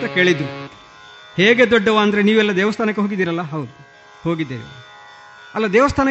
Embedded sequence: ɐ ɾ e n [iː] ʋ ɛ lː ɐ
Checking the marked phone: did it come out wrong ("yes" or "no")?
no